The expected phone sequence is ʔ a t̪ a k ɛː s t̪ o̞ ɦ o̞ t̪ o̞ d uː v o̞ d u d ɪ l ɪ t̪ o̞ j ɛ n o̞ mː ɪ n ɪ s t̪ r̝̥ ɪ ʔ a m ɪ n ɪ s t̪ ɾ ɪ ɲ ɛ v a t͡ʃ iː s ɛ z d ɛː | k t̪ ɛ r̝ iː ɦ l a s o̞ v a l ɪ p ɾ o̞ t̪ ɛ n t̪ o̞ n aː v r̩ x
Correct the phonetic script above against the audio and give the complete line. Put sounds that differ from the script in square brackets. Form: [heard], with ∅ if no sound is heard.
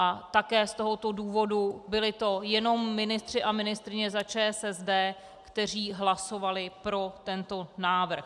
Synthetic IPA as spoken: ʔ a t̪ a k ɛː s t̪ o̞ ɦ o̞ t̪ o̞ d uː v o̞ d u [b] ɪ l ɪ t̪ o̞ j ɛ n o̞ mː ɪ n ɪ s t̪ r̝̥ ɪ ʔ a m ɪ n ɪ s t̪ ɾ ɪ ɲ ɛ [z] a t͡ʃ [ɛː] s ɛ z d ɛː | k t̪ ɛ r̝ iː ɦ l a s o̞ v a l ɪ p ɾ o̞ t̪ ɛ n t̪ o̞ n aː v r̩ x